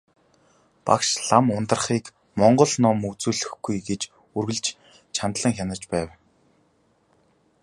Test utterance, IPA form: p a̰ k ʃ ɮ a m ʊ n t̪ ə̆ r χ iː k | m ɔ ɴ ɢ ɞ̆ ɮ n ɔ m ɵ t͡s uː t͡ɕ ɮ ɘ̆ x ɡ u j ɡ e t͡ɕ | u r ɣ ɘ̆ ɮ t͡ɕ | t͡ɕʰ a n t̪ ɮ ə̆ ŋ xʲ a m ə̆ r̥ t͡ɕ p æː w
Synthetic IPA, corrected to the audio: p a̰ k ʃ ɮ a m ʊ n t̪ ə̆ r χ iː k | m ɔ ɴ ɢ ɞ̆ ɮ n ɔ m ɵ t͡s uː ɮ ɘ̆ x ɡ u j ɡ e t͡ɕ | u r ɣ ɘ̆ ɮ t͡ɕ | t͡ɕʰ a n t̪ ɮ ə̆ ŋ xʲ a n ə̆ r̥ t͡ɕ p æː w